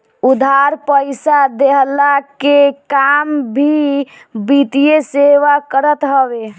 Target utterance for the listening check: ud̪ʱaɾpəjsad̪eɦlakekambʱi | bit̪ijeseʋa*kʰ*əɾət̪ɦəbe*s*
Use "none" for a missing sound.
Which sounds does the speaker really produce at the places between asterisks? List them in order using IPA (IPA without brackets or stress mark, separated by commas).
k, none